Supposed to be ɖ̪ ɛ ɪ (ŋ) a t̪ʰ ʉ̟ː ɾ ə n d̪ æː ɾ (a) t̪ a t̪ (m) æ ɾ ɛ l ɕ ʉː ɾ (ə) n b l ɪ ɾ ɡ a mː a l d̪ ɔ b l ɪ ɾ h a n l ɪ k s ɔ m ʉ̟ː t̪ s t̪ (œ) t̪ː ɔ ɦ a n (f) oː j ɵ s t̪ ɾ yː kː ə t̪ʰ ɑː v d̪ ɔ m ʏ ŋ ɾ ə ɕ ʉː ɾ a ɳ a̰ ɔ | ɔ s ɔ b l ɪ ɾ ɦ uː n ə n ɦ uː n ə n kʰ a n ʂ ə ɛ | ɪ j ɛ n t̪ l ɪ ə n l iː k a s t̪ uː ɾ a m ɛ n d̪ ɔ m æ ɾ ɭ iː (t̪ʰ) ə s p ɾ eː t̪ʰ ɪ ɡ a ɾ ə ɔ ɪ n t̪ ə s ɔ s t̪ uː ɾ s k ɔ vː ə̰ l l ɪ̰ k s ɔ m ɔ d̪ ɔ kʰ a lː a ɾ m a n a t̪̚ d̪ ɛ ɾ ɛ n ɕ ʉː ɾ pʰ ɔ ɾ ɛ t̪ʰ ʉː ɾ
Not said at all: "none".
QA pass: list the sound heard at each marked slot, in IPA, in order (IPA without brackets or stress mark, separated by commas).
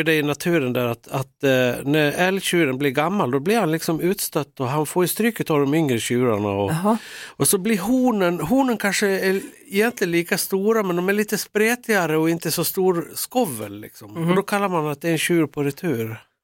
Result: n, a, n, ə, œ, f, t̪